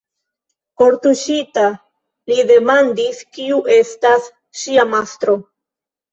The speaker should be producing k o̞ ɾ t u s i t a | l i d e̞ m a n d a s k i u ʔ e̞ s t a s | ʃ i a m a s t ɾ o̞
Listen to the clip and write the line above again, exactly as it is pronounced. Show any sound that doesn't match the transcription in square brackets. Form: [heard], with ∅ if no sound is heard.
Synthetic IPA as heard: k o̞ ɾ t u [ʃ] i t a | l i d e̞ m a n d [i] s k i u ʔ e̞ s t a s | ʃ i a m a s t ɾ o̞